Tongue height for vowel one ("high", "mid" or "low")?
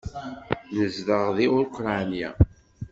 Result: mid